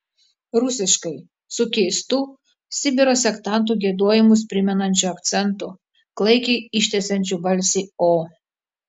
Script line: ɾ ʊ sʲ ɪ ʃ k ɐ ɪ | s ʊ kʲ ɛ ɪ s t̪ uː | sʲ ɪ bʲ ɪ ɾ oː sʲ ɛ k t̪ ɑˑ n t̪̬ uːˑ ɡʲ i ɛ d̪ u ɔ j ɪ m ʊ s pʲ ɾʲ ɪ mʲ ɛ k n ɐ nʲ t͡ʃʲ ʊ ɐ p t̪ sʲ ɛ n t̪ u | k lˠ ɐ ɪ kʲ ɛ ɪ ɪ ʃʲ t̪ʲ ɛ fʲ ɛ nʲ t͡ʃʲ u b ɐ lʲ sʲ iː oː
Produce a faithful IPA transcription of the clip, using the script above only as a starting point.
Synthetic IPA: ɾ ʊ sʲ ɪ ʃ k ɐ ɪ | s ʊ kʲ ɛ ɪ s t̪ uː | sʲ ɪ bʲ ɪ ɾ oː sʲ ɛ k t̪ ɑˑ n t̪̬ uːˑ ɡʲ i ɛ d̪ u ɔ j ɪ m ʊ s pʲ ɾʲ ɪ mʲ ɛ n ɐ nʲ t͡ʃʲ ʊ ɐ k t̪ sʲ ɛ n t̪ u | k lˠ ɐ ɪ kʲ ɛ ɪ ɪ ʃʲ t̪ʲ ɛ sʲ ɛ nʲ t͡ʃʲ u b ɐ lʲ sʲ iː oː